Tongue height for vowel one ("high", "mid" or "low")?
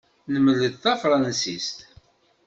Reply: mid